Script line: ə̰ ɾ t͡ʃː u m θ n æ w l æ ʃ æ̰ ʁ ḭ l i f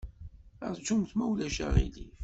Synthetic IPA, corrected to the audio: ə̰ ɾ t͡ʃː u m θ m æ w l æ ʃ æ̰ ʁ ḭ l i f